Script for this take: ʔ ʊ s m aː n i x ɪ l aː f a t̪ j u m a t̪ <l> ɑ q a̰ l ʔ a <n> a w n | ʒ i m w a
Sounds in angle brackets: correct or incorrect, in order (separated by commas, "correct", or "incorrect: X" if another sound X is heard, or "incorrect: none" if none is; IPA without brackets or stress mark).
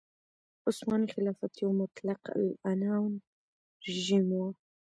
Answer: correct, correct